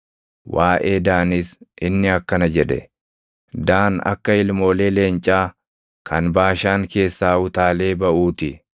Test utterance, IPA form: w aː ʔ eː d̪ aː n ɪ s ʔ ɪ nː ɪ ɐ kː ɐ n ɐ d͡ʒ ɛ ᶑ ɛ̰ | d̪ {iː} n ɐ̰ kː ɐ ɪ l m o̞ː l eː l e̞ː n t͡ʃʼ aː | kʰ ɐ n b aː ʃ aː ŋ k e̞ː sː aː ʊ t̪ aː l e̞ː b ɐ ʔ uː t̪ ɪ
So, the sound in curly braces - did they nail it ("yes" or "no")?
no